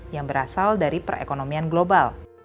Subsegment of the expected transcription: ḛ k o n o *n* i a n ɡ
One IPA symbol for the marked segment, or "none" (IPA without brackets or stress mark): m